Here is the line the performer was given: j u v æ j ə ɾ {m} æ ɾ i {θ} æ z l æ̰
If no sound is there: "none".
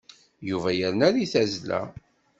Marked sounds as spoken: n, θ

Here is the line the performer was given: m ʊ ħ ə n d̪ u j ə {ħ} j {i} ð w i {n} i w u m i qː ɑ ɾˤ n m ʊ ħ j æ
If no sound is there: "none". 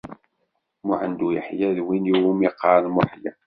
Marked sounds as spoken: ħ, æ, n

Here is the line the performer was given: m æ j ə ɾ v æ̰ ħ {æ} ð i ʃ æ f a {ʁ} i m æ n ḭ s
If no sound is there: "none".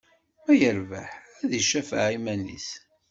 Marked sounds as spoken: æ, ʕ

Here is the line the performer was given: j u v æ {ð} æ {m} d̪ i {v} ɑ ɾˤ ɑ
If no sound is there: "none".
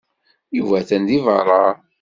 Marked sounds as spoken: θ, n, v

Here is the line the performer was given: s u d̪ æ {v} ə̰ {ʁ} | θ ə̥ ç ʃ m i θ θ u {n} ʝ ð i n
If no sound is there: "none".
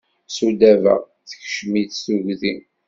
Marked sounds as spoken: v, ʁ, none

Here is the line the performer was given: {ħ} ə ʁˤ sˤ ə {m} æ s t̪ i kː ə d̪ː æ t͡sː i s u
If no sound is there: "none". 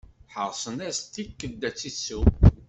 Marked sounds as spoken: ħ, n

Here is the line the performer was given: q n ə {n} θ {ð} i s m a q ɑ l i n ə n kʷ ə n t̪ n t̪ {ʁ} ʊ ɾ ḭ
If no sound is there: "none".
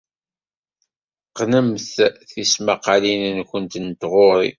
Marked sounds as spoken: m, θ, ʁ

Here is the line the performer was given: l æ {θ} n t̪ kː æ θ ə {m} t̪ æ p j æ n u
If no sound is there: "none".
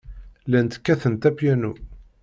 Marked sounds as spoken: none, n

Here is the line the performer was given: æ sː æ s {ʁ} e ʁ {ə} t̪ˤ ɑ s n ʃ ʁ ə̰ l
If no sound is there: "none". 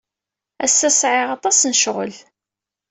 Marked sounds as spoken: ʕ, ɑ

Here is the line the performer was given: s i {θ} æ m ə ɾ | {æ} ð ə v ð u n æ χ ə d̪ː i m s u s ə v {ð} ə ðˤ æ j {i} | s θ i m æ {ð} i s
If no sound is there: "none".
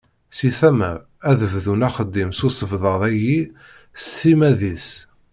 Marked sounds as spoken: θ, æ, ð, i, ð

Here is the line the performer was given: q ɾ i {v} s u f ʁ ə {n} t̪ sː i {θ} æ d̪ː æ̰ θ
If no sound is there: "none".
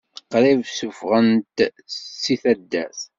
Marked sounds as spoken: v, n, θ

